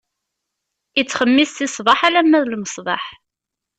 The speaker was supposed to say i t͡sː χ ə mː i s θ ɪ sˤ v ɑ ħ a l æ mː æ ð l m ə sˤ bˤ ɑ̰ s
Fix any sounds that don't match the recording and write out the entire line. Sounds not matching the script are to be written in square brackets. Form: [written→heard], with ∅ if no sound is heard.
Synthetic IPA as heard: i t͡sː χ ə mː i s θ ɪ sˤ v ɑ ħ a l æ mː æ ð l m ə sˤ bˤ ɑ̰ [s→ħ]